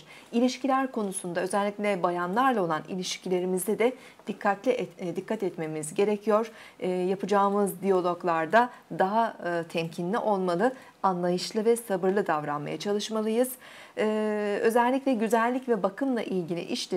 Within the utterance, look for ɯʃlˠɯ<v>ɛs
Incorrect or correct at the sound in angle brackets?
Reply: correct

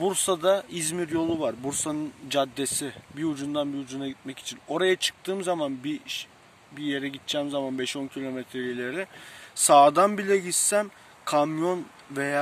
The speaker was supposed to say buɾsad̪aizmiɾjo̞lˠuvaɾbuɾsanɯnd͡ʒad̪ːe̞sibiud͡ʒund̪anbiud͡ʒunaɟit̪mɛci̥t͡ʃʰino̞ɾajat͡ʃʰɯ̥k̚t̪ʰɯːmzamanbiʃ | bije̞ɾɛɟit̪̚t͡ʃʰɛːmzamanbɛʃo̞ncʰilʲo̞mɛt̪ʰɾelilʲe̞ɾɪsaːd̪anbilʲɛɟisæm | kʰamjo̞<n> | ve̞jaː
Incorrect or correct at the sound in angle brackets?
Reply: correct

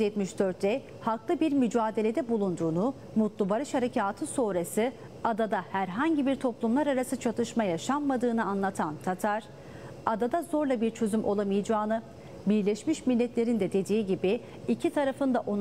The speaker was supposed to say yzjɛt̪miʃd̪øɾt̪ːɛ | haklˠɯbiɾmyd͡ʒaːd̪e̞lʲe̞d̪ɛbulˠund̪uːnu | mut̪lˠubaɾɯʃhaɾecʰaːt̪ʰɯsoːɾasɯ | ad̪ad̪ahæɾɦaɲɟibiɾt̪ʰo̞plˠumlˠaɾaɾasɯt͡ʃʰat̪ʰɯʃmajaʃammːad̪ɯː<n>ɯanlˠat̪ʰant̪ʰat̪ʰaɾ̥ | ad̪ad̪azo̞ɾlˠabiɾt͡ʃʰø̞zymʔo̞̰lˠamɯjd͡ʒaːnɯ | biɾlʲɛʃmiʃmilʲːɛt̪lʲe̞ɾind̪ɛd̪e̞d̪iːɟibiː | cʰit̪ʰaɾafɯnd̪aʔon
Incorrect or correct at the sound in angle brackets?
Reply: correct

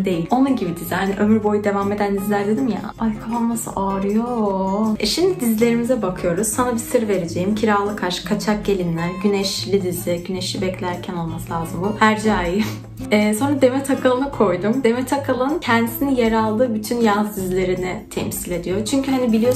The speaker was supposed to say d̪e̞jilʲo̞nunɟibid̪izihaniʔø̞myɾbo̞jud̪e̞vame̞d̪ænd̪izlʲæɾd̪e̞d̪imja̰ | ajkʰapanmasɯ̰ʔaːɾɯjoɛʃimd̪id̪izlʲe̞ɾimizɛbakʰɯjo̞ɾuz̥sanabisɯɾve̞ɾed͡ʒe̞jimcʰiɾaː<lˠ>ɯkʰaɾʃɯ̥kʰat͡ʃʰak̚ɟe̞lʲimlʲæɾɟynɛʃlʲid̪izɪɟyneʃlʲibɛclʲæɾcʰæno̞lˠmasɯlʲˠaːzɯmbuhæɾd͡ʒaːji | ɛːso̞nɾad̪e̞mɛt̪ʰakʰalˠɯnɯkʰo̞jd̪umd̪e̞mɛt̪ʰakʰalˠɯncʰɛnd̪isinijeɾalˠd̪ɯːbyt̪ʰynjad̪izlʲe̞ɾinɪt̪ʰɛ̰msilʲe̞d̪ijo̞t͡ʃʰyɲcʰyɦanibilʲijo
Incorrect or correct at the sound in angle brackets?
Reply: correct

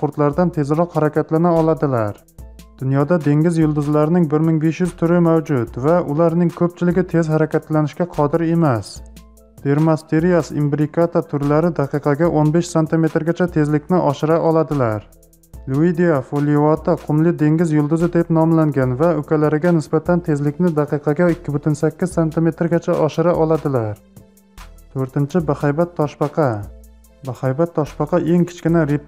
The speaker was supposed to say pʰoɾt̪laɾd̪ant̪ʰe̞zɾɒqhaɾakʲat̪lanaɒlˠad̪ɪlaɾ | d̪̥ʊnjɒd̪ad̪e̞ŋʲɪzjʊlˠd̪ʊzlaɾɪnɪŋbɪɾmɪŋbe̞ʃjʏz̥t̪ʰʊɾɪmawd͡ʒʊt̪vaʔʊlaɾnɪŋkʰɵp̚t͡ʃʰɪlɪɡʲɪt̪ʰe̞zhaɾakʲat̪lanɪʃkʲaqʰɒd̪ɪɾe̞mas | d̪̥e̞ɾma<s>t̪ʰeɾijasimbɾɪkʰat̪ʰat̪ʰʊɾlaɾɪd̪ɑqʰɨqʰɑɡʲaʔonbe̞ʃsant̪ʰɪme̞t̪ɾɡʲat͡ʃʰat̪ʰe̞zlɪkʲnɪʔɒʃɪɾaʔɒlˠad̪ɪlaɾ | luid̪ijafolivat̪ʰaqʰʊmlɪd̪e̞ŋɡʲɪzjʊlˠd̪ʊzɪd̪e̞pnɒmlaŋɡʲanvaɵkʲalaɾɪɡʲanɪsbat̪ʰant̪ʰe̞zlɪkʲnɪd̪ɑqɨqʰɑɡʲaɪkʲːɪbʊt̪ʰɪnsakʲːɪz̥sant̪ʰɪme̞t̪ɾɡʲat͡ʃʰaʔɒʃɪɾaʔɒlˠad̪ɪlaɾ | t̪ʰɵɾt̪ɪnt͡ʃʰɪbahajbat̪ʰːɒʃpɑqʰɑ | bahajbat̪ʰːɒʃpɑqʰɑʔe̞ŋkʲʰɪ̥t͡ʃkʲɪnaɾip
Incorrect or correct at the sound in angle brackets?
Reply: correct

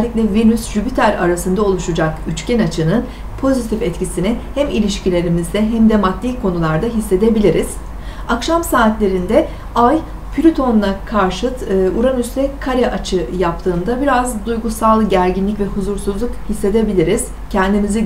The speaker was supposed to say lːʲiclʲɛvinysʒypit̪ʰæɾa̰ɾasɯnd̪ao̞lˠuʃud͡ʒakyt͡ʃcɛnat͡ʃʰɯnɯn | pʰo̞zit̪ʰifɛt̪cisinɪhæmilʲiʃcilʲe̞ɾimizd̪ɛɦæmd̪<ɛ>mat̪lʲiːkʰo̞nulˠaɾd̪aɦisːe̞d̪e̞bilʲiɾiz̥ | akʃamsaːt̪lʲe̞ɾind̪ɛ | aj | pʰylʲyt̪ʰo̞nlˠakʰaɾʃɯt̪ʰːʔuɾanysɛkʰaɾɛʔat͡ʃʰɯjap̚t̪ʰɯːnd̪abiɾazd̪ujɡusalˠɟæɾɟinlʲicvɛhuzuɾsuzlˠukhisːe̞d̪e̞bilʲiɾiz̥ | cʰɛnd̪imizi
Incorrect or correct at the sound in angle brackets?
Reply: correct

